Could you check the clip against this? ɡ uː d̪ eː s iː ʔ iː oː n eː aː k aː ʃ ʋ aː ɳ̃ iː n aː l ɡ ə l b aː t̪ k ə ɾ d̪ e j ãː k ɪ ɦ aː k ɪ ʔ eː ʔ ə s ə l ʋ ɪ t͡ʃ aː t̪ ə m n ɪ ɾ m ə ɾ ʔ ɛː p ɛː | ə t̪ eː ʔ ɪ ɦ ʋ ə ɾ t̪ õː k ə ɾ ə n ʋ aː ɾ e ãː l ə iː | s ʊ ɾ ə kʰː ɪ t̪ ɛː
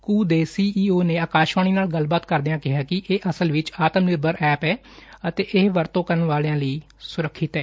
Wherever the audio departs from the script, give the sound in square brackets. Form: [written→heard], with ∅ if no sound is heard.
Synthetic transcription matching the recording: [ɡ→k] uː d̪ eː s iː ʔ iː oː n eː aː k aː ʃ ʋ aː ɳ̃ iː n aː l ɡ ə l b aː t̪ k ə ɾ d̪ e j ãː k ɪ ɦ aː k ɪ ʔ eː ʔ ə s ə l ʋ ɪ t͡ʃ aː t̪ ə m n ɪ ɾ [m→b] ə ɾ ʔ ɛː p ɛː | ə t̪ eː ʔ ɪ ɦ ʋ ə ɾ t̪ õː k ə ɾ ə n ʋ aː [ɾ→l] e ãː l ə iː | s ʊ ɾ ə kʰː ɪ t̪ ɛː